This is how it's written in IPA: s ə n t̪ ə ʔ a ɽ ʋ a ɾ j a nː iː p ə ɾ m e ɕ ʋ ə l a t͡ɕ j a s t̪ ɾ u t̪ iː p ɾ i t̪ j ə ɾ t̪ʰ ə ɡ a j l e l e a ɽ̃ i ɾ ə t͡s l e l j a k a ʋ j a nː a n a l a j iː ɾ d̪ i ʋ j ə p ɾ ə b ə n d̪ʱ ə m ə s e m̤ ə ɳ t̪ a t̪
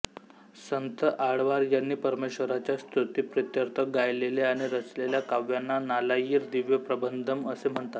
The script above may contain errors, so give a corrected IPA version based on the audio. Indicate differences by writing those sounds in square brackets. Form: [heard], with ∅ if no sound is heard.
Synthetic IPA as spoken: s ə n t̪ ə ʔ a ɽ ʋ a ɾ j a nː iː p ə ɾ m e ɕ ʋ ə [ɾ] a t͡ɕ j a s t̪ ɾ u t̪ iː p ɾ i t̪ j ə ɾ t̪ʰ ə ɡ a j l e l e a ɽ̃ i ɾ ə t͡s l e l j a k a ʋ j a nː a n a l a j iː ɾ d̪ i ʋ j ə p ɾ ə b ə n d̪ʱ ə m ə s e m̤ ə ɳ t̪ a t̪